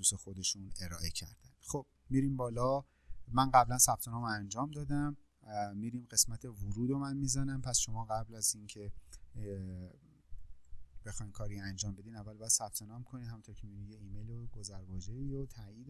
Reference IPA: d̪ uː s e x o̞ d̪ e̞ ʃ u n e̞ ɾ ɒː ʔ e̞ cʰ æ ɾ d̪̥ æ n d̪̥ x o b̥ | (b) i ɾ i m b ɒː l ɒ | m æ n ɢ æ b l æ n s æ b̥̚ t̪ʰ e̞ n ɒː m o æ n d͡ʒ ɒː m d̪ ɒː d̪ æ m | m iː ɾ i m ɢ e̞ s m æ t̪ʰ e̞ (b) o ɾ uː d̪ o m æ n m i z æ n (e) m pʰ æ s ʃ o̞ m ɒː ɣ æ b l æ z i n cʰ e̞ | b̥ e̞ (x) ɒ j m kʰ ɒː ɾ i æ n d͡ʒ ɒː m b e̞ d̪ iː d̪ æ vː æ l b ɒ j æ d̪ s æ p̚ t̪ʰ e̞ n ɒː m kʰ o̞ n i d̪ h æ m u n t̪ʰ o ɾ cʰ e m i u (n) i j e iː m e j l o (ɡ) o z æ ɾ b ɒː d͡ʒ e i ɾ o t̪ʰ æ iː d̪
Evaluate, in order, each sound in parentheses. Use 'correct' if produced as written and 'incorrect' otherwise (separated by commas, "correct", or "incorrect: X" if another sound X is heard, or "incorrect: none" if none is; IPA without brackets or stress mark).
incorrect: m, incorrect: v, incorrect: æ, correct, correct, correct